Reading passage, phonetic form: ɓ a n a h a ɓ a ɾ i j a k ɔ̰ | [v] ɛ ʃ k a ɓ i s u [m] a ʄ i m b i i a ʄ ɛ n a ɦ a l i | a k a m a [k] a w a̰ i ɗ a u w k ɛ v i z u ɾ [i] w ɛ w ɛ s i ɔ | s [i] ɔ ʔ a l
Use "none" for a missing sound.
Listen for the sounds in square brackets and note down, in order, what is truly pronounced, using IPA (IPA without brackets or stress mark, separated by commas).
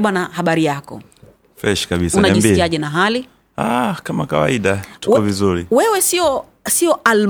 f, n, k, i, i